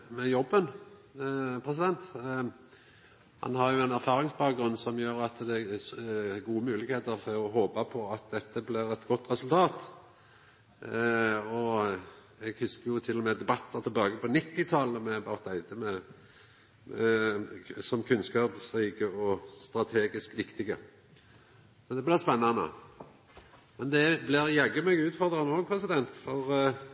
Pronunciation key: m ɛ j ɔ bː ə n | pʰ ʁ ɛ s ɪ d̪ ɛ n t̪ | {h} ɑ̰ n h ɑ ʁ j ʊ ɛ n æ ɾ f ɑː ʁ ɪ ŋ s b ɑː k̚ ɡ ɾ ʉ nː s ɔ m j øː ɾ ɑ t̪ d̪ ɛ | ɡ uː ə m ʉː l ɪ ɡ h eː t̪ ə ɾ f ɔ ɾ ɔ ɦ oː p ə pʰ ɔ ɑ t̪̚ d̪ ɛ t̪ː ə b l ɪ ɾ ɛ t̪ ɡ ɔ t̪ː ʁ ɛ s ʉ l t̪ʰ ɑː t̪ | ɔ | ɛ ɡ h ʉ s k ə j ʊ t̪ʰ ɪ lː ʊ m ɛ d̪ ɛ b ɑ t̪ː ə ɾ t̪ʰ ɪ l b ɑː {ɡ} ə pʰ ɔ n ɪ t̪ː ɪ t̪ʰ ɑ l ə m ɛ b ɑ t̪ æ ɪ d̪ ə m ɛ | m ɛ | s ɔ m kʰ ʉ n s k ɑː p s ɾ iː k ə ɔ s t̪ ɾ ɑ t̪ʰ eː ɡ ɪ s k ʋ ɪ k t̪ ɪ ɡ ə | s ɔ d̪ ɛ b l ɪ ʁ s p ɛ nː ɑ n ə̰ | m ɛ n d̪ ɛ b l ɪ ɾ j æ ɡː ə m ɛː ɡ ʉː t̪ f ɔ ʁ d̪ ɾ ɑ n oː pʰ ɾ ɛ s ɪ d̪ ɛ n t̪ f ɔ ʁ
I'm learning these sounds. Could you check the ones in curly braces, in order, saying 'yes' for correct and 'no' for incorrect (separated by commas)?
yes, yes